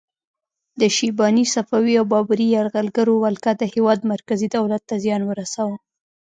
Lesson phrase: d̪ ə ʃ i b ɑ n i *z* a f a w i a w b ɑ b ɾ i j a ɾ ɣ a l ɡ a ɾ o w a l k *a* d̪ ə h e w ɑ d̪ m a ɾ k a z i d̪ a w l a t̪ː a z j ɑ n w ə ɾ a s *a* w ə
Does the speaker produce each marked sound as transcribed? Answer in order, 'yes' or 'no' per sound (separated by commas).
no, yes, yes